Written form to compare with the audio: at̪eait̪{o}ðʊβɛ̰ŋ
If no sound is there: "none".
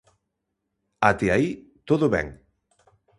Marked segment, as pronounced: o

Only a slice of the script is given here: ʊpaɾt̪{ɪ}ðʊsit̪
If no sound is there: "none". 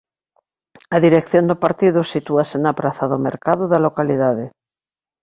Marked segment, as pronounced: i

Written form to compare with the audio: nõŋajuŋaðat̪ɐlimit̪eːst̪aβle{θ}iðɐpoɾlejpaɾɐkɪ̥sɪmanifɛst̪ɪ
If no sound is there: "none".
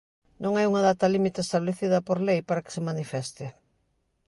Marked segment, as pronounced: θ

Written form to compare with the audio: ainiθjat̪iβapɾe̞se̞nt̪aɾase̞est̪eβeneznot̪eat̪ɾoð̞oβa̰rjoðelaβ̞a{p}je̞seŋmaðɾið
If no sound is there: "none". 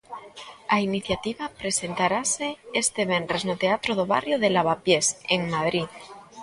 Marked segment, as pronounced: p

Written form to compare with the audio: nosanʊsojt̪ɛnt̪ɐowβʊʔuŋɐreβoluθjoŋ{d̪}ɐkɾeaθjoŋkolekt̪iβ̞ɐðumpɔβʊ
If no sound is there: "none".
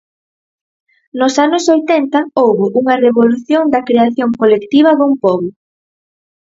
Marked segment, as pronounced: d̪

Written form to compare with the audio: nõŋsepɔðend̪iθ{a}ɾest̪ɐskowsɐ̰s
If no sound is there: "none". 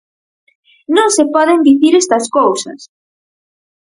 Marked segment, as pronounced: i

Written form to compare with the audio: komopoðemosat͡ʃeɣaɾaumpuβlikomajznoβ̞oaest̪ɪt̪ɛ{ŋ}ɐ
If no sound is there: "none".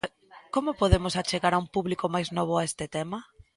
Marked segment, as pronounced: m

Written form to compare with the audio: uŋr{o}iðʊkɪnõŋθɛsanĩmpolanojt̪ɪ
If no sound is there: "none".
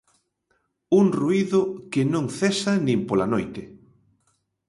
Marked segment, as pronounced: u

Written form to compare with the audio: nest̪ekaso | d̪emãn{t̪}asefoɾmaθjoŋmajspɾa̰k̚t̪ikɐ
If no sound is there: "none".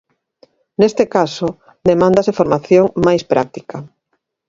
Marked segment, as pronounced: d̪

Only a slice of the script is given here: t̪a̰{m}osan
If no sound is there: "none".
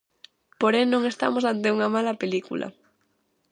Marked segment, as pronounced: m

